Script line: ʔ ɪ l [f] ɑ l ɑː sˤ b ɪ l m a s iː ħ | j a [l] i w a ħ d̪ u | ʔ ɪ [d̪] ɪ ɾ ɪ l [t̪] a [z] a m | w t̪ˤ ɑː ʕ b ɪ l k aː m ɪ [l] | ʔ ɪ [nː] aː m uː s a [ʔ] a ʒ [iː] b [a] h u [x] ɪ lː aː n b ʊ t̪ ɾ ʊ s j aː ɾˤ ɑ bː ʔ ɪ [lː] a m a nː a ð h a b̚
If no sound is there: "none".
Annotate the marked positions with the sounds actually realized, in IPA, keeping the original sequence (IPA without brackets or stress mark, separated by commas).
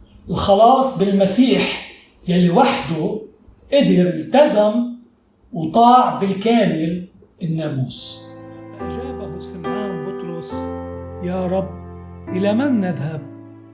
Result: x, lː, d̪, t̪, z, l, nː, ʔ, aː, a, s, l